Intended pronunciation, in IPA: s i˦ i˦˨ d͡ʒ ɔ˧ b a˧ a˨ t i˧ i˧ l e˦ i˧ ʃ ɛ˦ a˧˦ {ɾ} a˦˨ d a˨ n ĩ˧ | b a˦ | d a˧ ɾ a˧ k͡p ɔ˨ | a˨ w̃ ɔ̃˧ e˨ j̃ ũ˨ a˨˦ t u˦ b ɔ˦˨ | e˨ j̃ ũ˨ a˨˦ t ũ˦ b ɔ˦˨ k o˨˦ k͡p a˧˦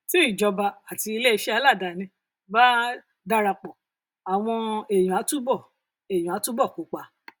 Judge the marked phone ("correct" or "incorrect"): incorrect